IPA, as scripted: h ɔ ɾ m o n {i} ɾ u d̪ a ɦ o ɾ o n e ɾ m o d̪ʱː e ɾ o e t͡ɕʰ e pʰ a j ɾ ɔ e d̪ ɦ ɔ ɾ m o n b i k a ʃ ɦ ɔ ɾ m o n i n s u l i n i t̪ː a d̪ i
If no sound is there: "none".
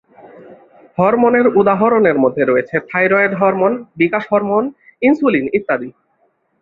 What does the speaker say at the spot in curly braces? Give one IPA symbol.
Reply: e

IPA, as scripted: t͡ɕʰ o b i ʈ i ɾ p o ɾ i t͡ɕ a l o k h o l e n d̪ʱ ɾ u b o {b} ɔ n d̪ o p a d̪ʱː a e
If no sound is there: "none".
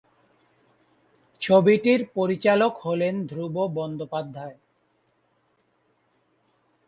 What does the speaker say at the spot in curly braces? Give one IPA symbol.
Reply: b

